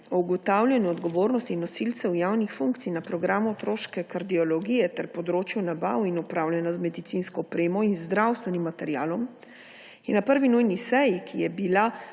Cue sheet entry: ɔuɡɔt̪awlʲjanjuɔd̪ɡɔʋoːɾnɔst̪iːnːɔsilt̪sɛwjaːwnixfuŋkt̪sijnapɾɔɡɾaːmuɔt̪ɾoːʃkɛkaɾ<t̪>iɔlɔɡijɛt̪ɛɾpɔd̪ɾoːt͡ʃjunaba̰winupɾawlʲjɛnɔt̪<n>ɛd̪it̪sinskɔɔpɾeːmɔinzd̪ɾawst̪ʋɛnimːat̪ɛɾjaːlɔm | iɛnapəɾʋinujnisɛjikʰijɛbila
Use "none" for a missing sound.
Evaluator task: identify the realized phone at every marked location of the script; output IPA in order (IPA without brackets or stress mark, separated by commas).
d̪, m